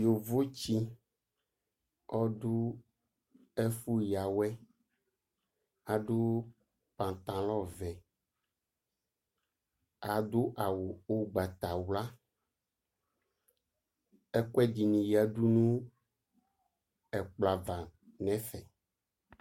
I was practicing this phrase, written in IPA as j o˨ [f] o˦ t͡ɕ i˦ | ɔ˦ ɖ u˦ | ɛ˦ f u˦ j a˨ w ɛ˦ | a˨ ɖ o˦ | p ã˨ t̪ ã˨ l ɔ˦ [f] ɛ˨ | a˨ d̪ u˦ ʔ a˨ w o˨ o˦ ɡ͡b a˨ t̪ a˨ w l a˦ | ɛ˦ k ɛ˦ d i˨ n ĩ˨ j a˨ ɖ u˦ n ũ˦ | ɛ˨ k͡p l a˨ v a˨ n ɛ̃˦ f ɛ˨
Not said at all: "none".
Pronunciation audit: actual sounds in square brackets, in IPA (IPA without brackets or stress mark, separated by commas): v, v